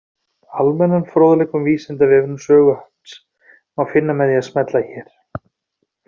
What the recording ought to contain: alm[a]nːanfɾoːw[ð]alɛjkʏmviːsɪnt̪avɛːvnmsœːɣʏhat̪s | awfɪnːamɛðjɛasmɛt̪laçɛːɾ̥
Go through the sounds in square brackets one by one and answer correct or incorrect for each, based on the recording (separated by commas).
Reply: incorrect, correct